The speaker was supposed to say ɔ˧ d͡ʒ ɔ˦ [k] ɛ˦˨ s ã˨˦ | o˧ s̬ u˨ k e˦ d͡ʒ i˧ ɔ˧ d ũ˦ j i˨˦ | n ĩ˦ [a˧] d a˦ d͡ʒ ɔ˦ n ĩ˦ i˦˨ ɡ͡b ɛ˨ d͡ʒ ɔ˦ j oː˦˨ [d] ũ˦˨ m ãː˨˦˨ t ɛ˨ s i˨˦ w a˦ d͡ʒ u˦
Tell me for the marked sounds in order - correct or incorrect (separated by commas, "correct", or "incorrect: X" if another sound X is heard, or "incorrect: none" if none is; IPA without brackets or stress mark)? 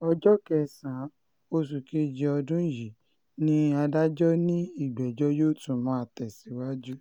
correct, correct, incorrect: t